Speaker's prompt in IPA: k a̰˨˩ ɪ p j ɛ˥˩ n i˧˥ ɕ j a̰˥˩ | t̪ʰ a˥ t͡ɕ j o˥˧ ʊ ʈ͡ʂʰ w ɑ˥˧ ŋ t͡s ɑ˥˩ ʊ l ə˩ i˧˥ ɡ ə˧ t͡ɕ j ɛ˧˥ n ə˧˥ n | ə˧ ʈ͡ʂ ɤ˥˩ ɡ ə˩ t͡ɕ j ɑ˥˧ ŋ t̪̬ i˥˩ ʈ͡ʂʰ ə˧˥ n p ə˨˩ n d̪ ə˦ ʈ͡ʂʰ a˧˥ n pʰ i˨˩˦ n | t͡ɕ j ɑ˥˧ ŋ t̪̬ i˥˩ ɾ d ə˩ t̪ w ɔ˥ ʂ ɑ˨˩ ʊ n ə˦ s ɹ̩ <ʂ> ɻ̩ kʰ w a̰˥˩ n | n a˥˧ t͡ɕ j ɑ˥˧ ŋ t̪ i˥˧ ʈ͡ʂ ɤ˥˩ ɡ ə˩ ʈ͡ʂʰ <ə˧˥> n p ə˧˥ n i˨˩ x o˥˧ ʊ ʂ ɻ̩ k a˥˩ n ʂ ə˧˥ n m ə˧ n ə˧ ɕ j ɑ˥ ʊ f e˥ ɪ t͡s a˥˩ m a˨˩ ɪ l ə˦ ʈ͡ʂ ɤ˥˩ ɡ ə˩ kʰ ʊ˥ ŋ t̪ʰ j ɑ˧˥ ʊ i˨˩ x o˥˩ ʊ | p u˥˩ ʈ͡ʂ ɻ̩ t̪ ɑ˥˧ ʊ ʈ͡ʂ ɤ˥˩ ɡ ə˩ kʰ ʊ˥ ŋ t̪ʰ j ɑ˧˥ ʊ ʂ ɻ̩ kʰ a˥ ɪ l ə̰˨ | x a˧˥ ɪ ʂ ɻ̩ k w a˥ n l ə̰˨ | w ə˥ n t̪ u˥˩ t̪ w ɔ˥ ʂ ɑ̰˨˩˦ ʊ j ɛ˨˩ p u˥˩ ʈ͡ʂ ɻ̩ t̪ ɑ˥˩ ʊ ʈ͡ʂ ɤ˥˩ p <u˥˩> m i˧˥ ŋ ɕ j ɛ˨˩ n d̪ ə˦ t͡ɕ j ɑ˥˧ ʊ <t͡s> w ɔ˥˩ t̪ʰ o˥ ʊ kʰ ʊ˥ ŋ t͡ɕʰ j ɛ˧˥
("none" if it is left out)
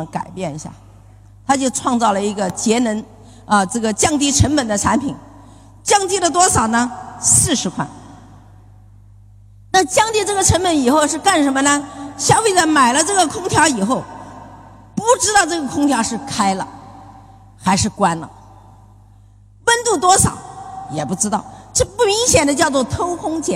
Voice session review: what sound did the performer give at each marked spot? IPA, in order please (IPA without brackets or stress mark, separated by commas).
ʂ, ə˧˥, u˥˩, t͡s